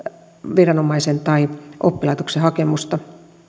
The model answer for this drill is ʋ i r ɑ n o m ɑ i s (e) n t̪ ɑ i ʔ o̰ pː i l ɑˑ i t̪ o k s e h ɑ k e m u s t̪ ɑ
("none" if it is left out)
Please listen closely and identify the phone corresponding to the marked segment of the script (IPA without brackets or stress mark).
e